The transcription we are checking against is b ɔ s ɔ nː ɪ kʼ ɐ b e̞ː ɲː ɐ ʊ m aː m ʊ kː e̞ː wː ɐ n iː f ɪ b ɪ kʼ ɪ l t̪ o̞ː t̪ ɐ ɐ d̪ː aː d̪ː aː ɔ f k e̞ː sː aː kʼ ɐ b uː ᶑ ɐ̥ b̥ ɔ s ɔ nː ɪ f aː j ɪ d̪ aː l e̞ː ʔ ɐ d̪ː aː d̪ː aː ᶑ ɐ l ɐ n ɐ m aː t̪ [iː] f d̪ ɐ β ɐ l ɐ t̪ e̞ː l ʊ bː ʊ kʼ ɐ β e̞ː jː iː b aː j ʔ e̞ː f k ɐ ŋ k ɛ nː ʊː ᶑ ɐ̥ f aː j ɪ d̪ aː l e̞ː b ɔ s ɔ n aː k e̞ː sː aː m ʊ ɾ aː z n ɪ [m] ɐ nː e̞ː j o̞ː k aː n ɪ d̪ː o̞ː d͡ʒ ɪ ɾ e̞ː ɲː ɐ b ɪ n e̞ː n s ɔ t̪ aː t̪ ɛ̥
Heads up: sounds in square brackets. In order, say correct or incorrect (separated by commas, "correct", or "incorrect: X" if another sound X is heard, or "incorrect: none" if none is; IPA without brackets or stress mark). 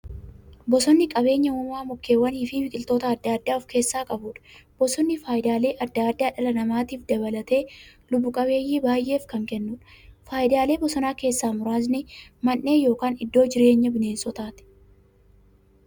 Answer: correct, correct